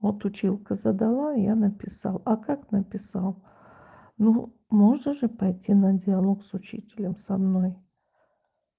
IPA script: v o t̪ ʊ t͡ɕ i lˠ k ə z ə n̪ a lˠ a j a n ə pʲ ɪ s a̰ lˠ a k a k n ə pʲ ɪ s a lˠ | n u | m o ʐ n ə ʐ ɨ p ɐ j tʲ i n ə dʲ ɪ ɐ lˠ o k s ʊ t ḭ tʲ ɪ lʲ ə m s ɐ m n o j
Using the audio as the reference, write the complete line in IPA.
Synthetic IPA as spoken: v o t̪ ʊ t͡ɕ i lˠ k ə z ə d̪ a lˠ a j a n ə pʲ ɪ s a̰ lˠ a k a k n ə pʲ ɪ s a lˠ | n u | m o ʐ n ə ʐ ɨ p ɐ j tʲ i n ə dʲ ɪ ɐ lˠ o k s ʊ t͡ɕ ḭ tʲ ɪ lʲ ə m s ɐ m n o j